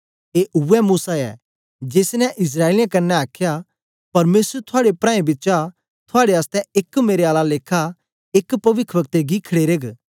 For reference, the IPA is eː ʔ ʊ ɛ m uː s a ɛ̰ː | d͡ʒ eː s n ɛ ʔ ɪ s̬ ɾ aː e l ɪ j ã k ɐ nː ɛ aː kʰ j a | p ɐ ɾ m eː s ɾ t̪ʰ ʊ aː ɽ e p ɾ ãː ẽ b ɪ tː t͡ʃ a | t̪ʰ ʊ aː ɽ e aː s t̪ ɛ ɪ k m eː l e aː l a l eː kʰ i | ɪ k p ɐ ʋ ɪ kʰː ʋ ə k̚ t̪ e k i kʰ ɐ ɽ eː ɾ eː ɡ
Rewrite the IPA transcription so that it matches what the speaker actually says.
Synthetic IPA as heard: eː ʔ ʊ ɛ m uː s a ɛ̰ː | d͡ʒ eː s n ɛ ʔ ɪ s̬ ɾ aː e l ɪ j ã k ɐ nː ɛ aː kʰ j a | p ɐ ɾ m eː s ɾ t̪ʰ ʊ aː ɽ e p ɾ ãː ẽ b ɪ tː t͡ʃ a | t̪ʰ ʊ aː ɽ e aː s t̪ ɛ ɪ k m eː ɾ e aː l a l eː kʰ a | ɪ k p ɐ ʋ ɪ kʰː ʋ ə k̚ t̪ e ɡ i kʰ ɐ ɽ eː ɾ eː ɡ